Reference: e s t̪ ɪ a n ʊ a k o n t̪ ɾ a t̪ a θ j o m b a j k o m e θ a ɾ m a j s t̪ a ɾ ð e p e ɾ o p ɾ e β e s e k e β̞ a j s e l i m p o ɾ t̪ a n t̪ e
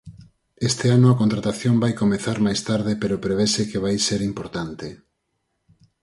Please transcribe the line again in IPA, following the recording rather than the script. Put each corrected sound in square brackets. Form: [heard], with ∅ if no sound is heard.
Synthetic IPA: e s t̪ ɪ a n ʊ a k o n t̪ ɾ a t̪ a θ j o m b a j k o m e θ a ɾ m a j s t̪ a ɾ ð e p e ɾ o p ɾ e β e s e k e β̞ a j s e [ɾ] i m p o ɾ t̪ a n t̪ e